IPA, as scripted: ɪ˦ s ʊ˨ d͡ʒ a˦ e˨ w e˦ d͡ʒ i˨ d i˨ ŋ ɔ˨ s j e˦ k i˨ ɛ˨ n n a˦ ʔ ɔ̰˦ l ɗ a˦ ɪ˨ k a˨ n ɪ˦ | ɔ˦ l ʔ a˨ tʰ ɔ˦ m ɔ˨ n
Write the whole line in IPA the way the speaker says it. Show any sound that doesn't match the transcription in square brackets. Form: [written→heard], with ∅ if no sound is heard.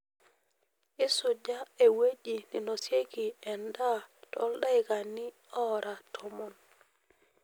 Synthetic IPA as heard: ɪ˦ s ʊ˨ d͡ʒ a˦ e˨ w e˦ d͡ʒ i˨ [d→n] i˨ [ŋ→n] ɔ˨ s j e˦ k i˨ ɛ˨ n [n→d] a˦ [ʔ→t] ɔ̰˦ l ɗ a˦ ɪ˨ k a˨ n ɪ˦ | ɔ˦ [l→ɾ] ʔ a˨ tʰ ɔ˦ m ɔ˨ n